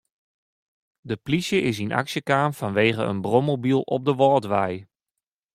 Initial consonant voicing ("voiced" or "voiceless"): voiced